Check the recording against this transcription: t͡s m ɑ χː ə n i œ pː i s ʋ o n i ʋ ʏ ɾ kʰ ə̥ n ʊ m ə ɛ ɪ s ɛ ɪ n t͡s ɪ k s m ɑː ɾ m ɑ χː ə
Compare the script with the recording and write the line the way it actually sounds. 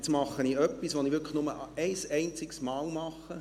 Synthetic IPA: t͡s m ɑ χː ə n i œ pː i s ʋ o n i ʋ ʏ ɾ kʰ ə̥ n ʊ m ə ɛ ɪ s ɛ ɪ n t͡s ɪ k s m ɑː l m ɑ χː ə